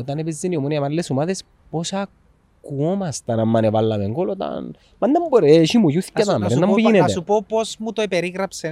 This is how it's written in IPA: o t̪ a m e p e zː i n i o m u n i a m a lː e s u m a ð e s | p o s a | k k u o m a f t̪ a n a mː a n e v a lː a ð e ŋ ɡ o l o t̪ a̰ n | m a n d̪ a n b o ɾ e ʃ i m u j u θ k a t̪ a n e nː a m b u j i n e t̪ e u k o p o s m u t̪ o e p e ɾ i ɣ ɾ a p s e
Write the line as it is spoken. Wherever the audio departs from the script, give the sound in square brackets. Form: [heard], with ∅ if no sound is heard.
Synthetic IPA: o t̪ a [n] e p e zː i n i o m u n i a m a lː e s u m a ð e s | p o s a | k k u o m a [s] t̪ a n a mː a n e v a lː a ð e ŋ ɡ o l o t̪ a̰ n | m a n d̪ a [m] b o ɾ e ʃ i m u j u θ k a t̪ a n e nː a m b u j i n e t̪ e u [p] o p o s m u t̪ o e p e ɾ i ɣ ɾ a p s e